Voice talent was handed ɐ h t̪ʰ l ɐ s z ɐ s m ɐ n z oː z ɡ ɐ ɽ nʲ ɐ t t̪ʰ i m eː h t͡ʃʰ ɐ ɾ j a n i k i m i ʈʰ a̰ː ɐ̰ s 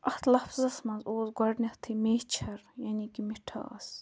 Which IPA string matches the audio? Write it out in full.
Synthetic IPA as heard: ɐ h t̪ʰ l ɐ f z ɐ s m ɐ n z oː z ɡ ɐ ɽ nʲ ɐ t t̪ʰ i m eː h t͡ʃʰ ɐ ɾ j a n i k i m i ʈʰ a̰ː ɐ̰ s